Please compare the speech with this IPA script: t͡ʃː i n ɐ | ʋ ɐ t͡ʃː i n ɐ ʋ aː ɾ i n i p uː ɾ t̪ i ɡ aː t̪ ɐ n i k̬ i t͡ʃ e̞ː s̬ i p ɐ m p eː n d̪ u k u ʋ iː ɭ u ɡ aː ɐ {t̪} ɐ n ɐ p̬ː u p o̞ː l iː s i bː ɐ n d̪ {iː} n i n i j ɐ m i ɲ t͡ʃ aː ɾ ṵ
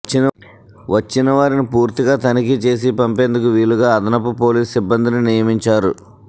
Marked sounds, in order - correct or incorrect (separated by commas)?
incorrect, incorrect